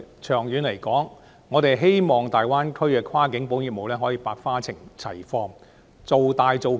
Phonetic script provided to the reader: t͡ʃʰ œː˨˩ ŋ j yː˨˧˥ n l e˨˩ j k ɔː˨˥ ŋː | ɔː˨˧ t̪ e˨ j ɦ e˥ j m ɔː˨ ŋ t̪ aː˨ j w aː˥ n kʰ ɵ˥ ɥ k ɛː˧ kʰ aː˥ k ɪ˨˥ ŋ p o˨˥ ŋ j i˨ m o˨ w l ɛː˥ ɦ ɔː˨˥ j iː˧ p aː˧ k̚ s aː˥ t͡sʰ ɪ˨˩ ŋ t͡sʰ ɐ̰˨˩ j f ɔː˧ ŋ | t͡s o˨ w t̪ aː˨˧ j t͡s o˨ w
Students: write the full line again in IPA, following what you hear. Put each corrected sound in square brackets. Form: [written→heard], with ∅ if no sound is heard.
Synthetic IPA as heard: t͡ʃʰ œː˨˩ ŋ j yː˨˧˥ n l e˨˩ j k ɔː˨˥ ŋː | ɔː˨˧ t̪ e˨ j ɦ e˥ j m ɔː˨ ŋ t̪ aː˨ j w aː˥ n kʰ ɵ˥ ɥ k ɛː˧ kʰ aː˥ k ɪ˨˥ ŋ p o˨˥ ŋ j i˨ m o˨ w l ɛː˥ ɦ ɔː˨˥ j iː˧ p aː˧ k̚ [s→f] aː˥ t͡sʰ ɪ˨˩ ŋ t͡sʰ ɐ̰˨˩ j f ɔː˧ ŋ | t͡s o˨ w t̪ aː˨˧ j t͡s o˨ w